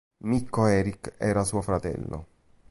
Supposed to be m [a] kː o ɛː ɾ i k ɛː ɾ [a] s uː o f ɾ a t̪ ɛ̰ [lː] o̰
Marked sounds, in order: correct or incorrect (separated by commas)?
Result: incorrect, correct, correct